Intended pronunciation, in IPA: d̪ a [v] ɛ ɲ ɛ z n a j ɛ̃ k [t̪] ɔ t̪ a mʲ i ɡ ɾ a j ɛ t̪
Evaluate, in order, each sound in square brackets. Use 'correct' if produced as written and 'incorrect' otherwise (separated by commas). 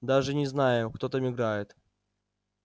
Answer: incorrect, correct